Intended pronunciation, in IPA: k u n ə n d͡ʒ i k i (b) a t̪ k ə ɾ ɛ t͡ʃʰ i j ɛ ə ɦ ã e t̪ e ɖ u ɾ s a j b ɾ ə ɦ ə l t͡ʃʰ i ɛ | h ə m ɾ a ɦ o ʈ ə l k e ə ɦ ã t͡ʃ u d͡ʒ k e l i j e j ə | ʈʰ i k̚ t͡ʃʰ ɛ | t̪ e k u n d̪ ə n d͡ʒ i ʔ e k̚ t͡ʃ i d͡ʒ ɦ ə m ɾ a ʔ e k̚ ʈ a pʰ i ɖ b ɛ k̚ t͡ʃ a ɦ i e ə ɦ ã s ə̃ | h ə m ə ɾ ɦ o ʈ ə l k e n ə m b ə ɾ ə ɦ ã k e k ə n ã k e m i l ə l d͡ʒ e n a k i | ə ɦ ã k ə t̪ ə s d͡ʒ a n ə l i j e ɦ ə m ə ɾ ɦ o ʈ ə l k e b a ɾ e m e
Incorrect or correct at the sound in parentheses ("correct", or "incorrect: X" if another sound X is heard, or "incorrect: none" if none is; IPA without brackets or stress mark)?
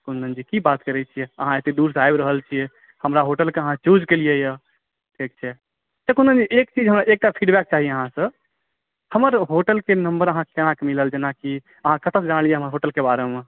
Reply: correct